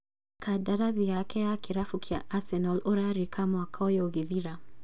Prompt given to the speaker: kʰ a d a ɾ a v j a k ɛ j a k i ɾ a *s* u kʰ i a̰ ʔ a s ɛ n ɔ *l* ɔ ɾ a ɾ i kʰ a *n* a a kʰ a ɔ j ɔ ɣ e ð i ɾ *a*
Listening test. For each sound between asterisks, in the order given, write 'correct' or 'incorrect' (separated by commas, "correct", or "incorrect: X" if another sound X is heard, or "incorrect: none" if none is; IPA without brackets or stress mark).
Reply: incorrect: f, correct, incorrect: m, correct